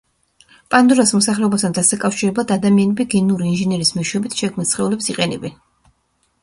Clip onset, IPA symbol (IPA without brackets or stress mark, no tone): pʼ